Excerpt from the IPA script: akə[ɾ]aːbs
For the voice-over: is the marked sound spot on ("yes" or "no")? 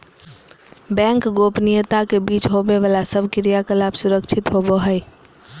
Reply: no